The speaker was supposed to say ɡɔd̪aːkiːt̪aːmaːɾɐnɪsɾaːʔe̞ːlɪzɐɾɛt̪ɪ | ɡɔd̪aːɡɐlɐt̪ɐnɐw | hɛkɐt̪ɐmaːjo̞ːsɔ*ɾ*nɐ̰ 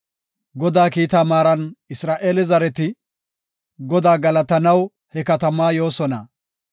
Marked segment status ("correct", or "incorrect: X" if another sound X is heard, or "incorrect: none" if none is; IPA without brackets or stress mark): incorrect: none